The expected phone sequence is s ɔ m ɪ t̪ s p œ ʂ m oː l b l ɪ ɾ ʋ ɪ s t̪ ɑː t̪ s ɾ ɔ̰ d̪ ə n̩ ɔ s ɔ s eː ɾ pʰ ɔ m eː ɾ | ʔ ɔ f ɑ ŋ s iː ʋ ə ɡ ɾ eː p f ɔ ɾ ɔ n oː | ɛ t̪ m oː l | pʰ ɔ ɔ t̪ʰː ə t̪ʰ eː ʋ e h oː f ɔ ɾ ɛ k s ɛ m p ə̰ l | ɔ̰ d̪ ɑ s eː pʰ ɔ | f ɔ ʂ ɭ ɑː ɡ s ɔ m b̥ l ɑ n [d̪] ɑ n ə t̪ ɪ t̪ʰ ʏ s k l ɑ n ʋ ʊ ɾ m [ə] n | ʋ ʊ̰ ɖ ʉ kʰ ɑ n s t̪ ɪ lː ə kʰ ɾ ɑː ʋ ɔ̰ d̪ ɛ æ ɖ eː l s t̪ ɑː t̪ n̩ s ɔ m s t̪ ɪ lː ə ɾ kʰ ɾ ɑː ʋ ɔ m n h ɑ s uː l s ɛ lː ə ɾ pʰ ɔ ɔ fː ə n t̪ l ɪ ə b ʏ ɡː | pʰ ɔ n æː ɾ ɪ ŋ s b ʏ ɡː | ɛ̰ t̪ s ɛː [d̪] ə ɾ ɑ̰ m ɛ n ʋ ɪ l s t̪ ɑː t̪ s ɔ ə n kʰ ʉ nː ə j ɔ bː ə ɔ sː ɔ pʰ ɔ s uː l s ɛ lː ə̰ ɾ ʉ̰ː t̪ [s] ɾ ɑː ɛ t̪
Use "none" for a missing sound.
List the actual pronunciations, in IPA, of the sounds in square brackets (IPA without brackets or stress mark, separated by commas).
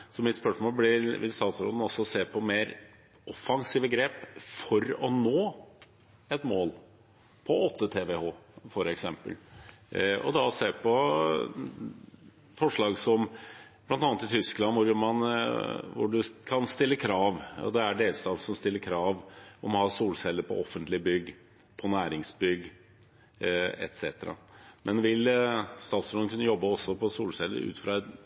t̪, ɑ, t̪, f